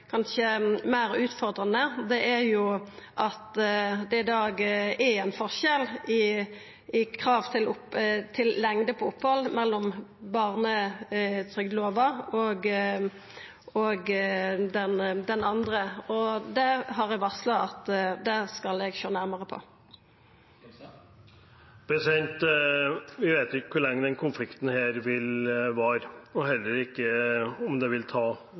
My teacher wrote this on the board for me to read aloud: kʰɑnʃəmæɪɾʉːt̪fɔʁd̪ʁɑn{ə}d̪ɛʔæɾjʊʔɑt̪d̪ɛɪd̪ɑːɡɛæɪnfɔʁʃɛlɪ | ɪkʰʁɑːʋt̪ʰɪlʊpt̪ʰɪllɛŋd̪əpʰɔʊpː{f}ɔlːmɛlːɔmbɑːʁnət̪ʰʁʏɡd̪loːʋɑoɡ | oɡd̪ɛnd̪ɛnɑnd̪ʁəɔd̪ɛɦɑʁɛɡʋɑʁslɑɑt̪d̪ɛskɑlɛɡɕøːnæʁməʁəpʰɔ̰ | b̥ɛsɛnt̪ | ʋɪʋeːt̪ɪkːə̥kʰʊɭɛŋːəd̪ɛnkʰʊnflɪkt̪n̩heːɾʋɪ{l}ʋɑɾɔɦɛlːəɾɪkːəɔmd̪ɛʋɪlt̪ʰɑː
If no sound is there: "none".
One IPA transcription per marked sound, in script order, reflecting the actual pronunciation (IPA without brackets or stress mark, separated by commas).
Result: ə, h, l